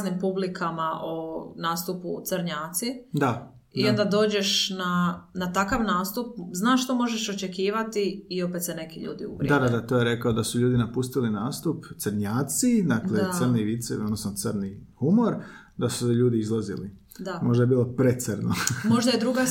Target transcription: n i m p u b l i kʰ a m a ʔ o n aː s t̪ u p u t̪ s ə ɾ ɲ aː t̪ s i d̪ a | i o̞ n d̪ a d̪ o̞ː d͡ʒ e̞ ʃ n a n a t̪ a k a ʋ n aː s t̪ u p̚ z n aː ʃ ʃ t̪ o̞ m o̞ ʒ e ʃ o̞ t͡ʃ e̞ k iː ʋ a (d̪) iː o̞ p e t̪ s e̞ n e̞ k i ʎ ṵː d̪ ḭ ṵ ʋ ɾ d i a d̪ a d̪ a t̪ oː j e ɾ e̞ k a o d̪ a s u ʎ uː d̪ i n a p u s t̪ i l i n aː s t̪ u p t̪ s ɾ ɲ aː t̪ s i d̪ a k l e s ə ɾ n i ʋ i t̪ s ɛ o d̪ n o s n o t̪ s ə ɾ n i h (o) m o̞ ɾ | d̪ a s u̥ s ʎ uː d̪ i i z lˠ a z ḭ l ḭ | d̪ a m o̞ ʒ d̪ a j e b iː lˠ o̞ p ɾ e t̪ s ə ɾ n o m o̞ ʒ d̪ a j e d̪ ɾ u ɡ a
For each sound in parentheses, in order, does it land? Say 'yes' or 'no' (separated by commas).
no, no